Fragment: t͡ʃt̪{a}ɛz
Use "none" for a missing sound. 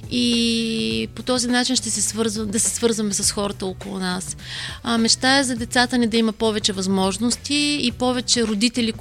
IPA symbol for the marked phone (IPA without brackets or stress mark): a